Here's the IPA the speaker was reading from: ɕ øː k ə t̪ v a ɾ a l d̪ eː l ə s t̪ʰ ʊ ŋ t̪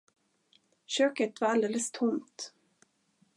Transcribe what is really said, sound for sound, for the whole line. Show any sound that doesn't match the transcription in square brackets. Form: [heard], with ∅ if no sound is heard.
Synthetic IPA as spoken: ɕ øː k ə t̪ v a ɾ a l d̪ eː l ə s t̪ʰ ʊ [m] t̪